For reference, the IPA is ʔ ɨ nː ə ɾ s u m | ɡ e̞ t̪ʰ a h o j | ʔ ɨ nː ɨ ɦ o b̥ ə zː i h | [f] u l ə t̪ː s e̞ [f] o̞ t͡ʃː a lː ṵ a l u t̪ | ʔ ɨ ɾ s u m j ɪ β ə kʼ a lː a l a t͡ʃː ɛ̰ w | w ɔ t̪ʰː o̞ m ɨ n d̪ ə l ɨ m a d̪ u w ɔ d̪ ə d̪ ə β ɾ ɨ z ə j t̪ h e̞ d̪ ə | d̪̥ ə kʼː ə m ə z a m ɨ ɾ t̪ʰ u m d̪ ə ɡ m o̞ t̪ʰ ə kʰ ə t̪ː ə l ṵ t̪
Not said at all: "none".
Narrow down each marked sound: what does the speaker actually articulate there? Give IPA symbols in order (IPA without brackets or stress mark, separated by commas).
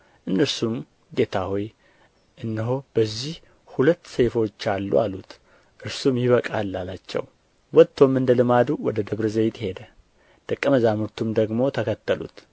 h, f